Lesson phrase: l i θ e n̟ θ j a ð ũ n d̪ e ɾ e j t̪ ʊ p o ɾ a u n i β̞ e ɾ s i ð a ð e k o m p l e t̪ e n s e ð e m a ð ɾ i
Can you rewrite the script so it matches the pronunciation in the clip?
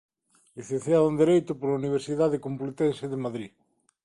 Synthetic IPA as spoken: l i θ e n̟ θ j a ð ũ n d̪ e ɾ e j t̪ ʊ p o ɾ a u n i β̞ e ɾ s i ð a ð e k o m p l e t̪ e n s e ð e m a ð ɾ i